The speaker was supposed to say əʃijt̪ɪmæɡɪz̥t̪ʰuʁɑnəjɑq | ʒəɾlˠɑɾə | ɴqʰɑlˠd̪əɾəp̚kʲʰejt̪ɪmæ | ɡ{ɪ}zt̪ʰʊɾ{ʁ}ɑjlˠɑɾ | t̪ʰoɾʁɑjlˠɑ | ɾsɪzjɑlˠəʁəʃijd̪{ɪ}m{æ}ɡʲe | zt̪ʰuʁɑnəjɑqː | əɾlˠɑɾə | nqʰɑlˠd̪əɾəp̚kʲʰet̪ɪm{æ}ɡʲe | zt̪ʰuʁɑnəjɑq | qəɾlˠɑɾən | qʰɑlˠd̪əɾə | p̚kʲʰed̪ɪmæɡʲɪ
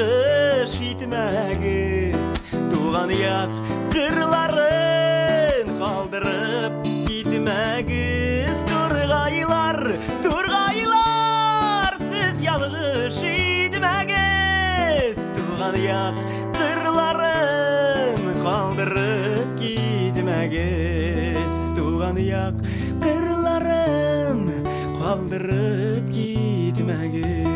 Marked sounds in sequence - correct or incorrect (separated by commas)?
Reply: correct, correct, correct, correct, correct